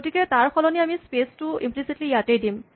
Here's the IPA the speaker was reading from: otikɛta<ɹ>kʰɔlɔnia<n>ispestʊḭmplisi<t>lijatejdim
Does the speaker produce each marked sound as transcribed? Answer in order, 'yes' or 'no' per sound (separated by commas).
yes, no, yes